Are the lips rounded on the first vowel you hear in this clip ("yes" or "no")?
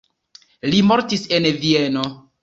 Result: no